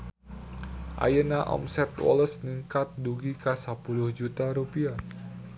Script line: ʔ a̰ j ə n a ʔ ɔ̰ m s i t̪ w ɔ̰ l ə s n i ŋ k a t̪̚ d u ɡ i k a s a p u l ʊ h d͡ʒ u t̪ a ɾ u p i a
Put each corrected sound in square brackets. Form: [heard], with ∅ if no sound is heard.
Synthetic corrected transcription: ʔ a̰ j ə n a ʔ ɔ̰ m s [ɛ] t̪ w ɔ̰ l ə s n i ŋ k a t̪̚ d u ɡ i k a s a p u l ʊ h d͡ʒ u t̪ a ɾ u p i a

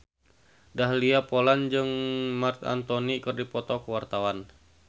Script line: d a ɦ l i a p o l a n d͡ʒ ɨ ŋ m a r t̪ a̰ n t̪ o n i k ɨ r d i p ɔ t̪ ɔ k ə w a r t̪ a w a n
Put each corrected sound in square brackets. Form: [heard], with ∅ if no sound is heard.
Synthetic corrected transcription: d a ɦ l i a p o l a n d͡ʒ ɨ ŋ m a r t̪ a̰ n t̪ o n i k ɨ r d i p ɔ t̪ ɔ k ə w a r t̪ a w a n

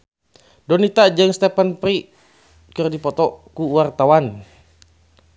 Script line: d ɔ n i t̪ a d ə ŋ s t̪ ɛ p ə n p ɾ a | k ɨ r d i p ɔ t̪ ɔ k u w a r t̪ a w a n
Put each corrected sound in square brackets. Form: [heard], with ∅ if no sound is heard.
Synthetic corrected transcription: d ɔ n i t̪ a [d͡ʒ] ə ŋ s t̪ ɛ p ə n p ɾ [i] | k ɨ r d i p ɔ t̪ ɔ k u w a r t̪ a w a n

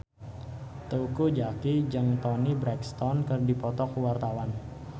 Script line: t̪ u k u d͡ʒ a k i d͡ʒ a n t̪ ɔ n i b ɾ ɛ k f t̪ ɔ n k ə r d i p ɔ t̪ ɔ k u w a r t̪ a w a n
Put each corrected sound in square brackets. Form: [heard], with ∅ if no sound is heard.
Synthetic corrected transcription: t̪ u k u d͡ʒ a k i d͡ʒ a [ŋ] t̪ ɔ n i b ɾ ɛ k [s] t̪ ɔ n k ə r d i p ɔ t̪ ɔ k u w a r t̪ a w a n

